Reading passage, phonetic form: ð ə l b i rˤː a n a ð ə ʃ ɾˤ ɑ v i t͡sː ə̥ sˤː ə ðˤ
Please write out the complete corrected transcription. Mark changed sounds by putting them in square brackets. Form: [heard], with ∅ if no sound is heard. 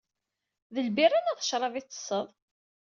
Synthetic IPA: ð ə l b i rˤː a n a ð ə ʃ ɾˤ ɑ v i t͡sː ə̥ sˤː ə ðˤ

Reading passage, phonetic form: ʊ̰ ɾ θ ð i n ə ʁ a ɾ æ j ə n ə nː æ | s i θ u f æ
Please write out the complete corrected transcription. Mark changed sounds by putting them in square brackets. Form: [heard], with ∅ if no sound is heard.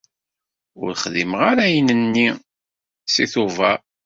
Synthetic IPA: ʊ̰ ɾ [χ] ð i [m] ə ʁ a ɾ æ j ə n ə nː [i] | s i θ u [v] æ

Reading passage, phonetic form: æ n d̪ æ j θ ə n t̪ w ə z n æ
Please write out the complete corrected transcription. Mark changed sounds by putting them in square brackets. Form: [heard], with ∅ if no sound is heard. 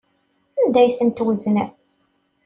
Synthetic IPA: æ n d̪ æ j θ ə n t̪ w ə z n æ

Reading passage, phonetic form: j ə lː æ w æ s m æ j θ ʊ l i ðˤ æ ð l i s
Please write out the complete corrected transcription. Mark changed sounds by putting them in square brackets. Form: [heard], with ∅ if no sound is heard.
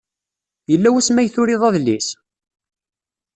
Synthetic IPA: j ə lː æ w æ s m æ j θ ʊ [ɾ] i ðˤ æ ð l i s

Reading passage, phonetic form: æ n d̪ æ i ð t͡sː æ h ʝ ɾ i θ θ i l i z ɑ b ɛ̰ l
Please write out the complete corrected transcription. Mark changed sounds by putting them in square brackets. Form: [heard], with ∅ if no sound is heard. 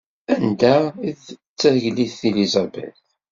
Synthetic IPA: æ n d̪ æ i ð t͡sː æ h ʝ [l] i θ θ i l i z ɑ b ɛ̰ l

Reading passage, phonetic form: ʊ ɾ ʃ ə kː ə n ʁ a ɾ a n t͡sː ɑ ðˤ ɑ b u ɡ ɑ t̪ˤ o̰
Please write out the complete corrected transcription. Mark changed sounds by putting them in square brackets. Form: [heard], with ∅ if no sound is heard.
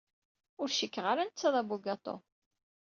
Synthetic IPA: ʊ ɾ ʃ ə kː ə [∅] ʁ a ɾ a n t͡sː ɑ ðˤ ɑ b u ɡ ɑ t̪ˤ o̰

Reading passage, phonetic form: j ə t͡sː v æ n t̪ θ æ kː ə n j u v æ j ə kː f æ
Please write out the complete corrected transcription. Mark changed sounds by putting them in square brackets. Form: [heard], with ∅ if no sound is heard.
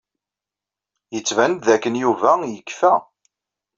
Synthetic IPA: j ə t͡sː v æ n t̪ [ð] æ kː ə n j u v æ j ə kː f æ

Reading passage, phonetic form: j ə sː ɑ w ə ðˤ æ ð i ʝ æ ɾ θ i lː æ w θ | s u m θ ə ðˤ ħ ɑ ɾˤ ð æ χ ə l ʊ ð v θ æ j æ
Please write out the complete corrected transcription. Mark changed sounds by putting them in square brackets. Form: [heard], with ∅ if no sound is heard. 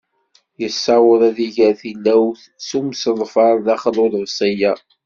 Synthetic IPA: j ə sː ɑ w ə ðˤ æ ð i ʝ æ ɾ θ i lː æ w θ | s u m [s] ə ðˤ [f] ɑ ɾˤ ð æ χ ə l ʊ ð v [s] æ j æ

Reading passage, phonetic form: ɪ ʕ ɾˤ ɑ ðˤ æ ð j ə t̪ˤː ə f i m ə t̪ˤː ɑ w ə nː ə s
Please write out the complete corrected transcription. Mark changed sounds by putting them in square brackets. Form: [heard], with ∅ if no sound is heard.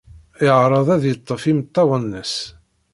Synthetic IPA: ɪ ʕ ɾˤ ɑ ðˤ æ ð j ə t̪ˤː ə f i m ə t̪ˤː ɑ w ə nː ə s

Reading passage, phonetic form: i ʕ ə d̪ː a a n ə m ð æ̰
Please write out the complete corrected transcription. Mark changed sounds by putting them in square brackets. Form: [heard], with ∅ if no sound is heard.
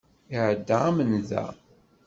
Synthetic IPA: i ʕ ə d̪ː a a [m] ə [n] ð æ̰

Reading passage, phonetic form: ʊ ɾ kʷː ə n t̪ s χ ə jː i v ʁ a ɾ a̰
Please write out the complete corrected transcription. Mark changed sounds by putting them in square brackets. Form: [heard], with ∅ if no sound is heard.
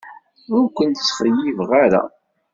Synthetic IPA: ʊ ɾ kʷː ə n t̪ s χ ə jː i v ʁ a ɾ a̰

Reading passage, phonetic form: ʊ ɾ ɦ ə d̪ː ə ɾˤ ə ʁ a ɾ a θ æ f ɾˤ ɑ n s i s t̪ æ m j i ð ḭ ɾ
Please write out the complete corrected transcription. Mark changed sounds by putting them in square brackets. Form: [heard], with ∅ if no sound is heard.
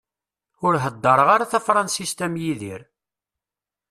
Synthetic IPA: ʊ ɾ ɦ ə d̪ː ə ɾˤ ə ʁ a ɾ a θ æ f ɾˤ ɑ n s i s t̪ æ m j i ð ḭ ɾ

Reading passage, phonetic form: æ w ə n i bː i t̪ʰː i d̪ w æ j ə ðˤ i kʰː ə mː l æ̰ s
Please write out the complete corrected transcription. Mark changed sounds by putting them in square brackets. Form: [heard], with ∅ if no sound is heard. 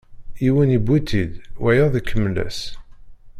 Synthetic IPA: [i] w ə n i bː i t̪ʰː i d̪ w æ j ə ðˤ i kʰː ə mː l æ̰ s

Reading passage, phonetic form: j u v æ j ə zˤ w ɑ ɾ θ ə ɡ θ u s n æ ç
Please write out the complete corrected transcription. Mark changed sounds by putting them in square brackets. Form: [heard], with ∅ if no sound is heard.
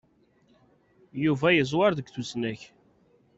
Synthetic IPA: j u v æ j ə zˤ w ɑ ɾ [ð] ə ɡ θ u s n æ ç

